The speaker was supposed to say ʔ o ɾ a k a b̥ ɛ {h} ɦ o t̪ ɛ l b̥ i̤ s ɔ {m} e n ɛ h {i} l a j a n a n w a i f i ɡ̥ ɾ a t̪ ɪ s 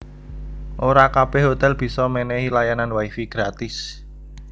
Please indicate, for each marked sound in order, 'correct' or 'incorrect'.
correct, correct, correct

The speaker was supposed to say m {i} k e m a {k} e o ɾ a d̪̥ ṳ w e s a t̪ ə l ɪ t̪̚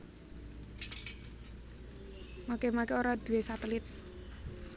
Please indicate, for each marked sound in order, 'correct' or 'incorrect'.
incorrect: a, correct

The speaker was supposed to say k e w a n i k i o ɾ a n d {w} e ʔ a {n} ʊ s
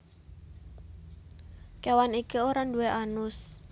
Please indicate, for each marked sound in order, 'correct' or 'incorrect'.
incorrect: u, correct

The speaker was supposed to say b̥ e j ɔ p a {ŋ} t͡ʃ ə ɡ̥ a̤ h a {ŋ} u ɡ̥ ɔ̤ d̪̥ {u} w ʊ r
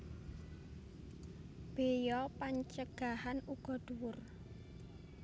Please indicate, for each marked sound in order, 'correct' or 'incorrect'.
incorrect: ɲ, incorrect: n, correct

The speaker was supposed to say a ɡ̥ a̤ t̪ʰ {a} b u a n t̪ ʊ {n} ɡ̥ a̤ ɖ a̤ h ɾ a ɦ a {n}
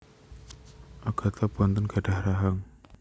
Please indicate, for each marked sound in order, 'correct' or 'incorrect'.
correct, correct, incorrect: ŋ

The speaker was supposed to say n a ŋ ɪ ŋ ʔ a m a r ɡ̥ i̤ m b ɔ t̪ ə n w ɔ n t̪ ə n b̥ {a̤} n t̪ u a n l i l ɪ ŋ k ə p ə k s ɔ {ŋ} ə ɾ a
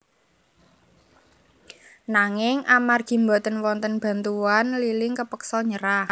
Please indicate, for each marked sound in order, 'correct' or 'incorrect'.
correct, incorrect: ɲ

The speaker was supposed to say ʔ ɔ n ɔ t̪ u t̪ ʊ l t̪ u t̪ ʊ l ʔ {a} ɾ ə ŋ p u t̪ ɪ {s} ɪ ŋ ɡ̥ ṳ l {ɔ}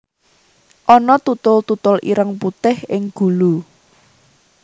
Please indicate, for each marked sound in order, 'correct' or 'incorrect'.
incorrect: i, incorrect: h, incorrect: u

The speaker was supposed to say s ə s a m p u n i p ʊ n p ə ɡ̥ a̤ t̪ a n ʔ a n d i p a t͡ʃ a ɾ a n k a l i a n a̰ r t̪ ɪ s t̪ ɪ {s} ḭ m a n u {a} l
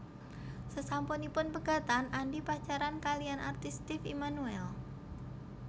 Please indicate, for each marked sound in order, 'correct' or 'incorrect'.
incorrect: f, incorrect: ɛ

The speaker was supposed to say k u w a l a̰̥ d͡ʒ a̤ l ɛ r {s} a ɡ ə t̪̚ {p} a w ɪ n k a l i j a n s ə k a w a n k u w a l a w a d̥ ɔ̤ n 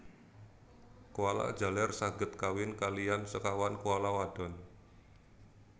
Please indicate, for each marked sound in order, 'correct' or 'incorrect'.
correct, incorrect: k

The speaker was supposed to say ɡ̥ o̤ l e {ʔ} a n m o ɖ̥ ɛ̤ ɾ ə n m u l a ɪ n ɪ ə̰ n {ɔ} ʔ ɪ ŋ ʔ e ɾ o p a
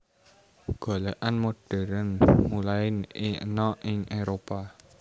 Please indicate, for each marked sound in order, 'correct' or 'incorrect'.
correct, correct

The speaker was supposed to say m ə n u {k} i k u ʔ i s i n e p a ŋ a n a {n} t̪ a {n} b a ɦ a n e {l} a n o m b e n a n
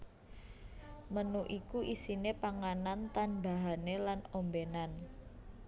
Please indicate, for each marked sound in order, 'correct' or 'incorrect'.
incorrect: ʔ, correct, correct, correct

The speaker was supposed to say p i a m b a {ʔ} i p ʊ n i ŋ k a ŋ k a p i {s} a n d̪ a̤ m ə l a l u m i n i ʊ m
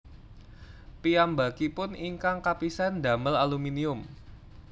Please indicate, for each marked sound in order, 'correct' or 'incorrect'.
incorrect: k, correct

